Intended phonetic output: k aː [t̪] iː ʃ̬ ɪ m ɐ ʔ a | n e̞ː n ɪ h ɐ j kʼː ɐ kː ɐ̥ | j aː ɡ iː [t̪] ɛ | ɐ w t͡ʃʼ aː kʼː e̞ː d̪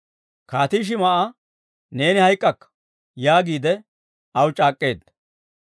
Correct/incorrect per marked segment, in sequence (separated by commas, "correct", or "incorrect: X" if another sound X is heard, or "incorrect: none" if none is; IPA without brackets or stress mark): correct, incorrect: d̪